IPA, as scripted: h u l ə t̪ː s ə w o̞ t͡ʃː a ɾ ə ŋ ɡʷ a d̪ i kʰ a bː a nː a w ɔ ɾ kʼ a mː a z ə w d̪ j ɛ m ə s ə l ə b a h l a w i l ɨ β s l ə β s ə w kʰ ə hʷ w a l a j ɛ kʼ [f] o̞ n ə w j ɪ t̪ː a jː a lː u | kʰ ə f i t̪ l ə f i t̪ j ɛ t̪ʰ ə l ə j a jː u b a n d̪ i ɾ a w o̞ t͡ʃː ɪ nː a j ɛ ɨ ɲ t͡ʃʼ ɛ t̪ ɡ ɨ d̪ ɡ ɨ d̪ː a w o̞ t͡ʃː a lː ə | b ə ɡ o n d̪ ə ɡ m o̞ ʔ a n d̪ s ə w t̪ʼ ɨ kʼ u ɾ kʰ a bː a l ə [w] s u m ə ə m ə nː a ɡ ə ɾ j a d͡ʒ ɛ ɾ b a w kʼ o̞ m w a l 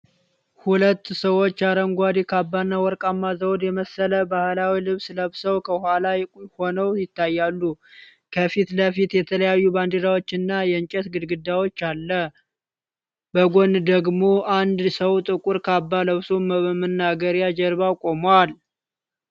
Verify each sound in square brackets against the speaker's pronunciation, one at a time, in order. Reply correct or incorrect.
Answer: incorrect, incorrect

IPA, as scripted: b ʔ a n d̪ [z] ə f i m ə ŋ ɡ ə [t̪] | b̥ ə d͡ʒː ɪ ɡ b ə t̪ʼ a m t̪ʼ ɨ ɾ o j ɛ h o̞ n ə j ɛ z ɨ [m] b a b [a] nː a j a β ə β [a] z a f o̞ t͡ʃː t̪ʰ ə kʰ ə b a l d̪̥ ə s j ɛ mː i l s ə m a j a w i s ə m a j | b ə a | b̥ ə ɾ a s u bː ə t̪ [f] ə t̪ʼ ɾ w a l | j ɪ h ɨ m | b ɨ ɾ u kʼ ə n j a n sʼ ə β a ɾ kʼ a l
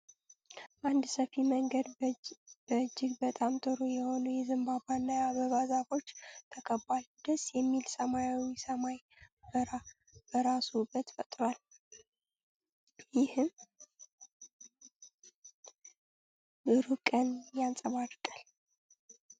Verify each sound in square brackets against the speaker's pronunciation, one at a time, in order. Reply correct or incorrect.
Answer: incorrect, incorrect, correct, correct, correct, correct

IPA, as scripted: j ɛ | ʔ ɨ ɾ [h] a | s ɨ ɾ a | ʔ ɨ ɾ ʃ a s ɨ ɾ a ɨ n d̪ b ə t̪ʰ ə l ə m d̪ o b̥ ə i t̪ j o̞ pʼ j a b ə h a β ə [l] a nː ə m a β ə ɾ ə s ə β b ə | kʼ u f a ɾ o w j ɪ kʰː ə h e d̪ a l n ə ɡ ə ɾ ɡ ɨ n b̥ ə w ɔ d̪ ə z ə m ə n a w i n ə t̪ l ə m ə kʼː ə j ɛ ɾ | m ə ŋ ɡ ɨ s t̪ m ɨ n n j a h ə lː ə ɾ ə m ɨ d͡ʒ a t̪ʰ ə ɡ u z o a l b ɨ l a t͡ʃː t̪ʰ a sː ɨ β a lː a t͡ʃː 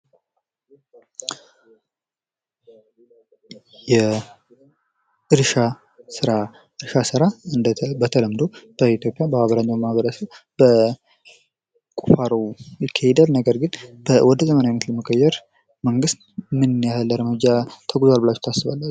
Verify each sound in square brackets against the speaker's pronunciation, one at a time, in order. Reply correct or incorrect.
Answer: incorrect, incorrect

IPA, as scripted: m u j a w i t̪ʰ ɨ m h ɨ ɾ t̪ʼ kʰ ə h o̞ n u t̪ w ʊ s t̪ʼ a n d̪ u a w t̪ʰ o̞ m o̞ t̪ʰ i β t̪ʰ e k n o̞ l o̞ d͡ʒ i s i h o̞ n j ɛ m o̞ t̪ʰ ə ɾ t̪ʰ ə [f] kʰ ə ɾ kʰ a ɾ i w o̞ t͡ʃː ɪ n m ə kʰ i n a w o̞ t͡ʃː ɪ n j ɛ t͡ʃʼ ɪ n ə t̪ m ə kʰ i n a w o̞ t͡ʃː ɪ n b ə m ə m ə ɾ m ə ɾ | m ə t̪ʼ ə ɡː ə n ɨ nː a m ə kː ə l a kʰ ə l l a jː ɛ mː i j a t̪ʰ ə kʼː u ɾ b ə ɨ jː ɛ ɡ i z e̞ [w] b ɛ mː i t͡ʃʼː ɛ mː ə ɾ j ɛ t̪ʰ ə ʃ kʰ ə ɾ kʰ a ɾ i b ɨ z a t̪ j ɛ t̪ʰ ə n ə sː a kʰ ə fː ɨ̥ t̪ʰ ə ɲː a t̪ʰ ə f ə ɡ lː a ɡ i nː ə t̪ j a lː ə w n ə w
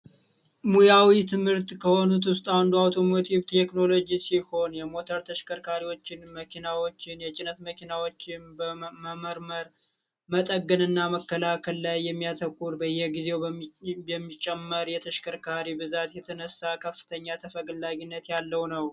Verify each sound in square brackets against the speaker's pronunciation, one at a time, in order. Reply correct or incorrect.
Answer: incorrect, correct

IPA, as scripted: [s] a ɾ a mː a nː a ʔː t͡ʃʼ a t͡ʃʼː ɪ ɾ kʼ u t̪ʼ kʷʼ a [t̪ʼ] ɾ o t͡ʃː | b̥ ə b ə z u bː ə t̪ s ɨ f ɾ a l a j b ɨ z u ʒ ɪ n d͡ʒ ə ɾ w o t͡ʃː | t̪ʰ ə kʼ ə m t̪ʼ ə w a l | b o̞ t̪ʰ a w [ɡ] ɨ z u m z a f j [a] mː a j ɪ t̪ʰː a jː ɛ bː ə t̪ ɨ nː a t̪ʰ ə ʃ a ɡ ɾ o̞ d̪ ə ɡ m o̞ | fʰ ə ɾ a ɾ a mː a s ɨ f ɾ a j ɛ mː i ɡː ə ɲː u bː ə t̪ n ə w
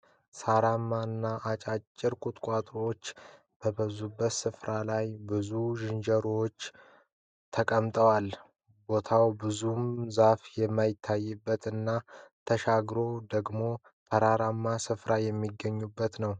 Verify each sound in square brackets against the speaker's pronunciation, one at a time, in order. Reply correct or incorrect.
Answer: correct, correct, incorrect, incorrect

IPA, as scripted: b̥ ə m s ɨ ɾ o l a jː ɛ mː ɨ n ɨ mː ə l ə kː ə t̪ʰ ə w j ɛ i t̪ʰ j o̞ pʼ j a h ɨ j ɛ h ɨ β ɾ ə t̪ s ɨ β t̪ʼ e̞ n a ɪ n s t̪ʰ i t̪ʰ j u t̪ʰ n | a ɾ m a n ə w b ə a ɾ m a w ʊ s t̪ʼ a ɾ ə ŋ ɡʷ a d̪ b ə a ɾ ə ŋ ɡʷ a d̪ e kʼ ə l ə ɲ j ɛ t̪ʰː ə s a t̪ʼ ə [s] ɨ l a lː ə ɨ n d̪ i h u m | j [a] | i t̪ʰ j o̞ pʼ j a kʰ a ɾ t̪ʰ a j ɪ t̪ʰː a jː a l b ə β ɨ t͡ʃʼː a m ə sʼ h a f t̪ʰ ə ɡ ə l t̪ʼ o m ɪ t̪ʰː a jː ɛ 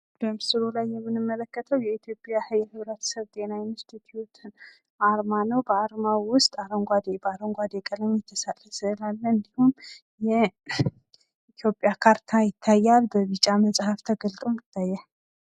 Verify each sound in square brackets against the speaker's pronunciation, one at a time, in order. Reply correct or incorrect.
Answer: correct, incorrect

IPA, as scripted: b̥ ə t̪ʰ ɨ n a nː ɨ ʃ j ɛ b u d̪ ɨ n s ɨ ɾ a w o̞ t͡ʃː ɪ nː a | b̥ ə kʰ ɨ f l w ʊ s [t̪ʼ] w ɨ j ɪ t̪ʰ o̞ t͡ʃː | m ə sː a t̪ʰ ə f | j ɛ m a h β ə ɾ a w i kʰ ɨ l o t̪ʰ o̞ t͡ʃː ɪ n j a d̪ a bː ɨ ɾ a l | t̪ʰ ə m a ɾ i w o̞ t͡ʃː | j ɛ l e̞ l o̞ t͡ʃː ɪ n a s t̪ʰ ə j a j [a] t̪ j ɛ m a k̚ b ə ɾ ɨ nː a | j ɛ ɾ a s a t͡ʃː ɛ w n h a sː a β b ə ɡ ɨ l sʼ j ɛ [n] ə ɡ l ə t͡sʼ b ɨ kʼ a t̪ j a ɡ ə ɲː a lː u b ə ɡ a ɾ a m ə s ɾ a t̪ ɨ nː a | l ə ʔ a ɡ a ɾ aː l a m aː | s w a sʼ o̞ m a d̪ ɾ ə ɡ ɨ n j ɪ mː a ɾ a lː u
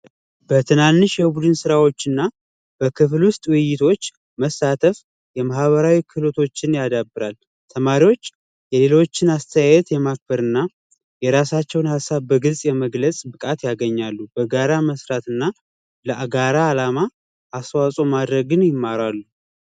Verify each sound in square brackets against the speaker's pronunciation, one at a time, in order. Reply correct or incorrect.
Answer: correct, incorrect, incorrect

